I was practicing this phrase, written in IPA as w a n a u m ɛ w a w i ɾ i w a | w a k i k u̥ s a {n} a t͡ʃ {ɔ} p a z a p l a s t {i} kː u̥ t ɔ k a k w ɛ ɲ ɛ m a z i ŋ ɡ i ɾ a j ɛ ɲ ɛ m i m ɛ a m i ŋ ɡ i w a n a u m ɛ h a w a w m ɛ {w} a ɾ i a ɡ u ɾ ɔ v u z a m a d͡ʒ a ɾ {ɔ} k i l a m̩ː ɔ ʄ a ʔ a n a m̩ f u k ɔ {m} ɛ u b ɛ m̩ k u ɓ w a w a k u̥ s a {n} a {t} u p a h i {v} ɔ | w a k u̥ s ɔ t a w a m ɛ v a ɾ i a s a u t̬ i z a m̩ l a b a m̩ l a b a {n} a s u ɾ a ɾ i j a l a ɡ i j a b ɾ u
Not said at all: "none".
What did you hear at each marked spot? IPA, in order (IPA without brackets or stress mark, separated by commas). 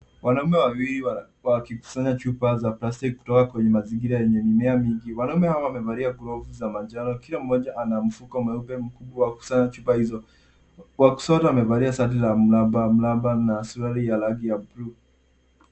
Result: ɲ, u, i, v, ɔ, m, ɲ, t͡ʃ, z, n